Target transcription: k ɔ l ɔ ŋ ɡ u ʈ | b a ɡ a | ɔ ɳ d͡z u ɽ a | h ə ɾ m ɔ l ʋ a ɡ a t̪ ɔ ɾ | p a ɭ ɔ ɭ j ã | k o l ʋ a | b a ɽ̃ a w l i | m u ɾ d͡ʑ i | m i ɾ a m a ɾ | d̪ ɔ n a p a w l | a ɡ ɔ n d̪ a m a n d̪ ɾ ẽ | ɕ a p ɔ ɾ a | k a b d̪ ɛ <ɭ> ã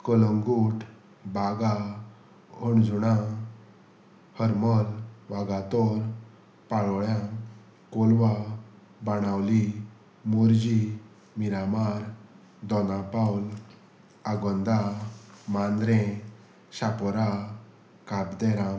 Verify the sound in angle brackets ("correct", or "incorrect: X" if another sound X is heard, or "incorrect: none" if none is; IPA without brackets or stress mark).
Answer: incorrect: ɾ